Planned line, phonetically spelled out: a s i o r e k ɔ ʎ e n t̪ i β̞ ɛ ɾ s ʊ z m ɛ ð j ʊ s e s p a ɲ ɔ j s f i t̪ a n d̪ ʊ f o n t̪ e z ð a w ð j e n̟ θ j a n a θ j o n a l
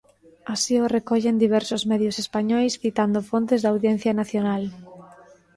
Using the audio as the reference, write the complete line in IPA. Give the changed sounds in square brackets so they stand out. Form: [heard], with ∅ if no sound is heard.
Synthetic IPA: a s i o r e k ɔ ʎ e n [d̪] i β̞ ɛ ɾ s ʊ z m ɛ ð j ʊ s e s p a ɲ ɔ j s [θ] i t̪ a n d̪ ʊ f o n t̪ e z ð a w ð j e n̟ θ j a n a θ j o n a l